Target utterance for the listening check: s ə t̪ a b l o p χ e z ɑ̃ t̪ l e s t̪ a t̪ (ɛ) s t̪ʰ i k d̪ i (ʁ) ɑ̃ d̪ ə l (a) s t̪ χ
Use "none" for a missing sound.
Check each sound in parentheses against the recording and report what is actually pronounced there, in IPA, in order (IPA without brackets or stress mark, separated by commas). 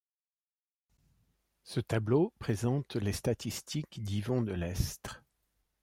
i, v, ɛ